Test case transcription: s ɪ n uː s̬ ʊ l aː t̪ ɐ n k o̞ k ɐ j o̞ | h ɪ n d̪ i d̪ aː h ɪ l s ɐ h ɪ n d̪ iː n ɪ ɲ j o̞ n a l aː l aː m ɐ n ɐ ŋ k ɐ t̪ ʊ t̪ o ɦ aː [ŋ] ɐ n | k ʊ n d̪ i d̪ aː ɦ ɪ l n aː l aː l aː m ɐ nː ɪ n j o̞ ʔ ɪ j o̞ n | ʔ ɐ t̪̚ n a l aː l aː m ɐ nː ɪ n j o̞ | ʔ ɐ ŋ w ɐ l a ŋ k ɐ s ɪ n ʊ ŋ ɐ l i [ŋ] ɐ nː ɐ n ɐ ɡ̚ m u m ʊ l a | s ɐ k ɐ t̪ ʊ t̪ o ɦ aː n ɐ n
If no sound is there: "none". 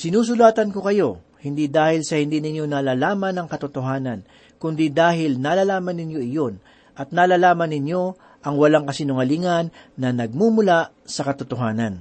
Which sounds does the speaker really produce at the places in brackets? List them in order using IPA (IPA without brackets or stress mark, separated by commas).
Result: n, ŋ